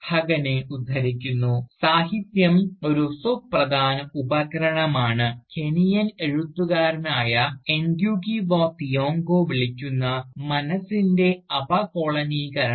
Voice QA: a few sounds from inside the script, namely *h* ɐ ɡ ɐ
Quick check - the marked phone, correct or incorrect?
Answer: correct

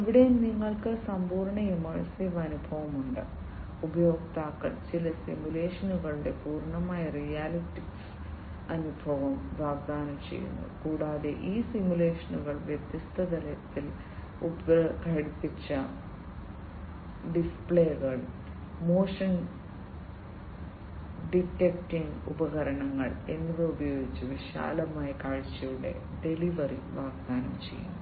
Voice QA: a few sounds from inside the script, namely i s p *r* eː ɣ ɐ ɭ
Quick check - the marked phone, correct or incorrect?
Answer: incorrect: ɭ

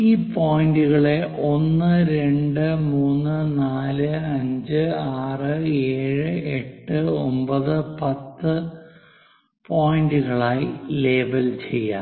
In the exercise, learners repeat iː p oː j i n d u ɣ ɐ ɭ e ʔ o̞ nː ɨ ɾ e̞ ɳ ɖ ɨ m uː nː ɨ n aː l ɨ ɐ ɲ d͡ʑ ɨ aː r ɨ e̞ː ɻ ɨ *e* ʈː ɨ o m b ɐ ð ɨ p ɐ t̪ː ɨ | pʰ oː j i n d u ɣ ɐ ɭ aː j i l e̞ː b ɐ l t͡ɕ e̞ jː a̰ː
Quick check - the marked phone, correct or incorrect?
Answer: correct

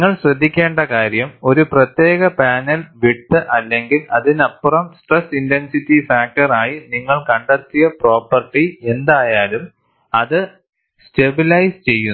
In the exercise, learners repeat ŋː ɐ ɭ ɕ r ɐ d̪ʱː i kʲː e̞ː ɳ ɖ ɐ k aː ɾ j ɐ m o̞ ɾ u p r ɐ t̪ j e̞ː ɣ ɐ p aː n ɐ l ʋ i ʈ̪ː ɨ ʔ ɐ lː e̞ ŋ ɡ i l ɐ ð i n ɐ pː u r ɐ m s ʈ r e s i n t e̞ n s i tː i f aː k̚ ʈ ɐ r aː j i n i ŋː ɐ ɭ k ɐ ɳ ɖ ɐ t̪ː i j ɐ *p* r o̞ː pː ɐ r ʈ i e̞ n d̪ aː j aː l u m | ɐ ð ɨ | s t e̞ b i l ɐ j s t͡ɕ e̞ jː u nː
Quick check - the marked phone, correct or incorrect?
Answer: correct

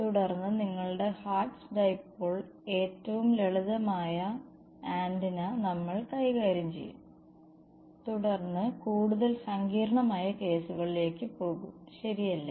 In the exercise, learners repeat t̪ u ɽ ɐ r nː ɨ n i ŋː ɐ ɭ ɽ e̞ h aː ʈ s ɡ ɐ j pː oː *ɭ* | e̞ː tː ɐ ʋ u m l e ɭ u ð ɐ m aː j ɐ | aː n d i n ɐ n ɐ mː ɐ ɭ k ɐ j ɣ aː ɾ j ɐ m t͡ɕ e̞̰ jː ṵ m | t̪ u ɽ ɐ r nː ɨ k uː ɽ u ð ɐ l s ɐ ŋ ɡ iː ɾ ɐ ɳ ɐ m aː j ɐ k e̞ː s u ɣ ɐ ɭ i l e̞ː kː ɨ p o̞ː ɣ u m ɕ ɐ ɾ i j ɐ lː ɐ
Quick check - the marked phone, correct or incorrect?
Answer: correct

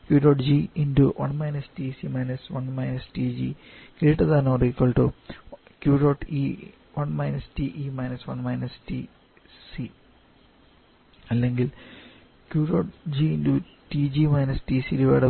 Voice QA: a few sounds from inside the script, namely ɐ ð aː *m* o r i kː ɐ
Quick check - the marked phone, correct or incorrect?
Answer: incorrect: n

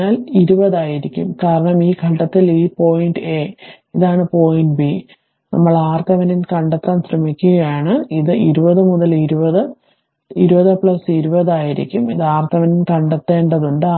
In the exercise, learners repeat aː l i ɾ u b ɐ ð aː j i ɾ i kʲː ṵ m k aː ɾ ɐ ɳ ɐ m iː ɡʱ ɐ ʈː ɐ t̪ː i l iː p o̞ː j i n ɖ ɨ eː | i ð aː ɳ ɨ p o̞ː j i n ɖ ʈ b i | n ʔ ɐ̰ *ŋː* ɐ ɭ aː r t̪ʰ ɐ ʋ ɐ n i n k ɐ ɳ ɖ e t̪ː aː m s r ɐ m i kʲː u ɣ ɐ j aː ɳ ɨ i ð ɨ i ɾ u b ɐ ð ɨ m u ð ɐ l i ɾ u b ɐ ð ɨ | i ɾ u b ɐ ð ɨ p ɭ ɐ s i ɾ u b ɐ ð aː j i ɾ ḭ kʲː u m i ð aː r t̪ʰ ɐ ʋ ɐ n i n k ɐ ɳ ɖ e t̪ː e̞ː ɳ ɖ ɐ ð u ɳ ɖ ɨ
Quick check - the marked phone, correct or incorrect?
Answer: incorrect: mː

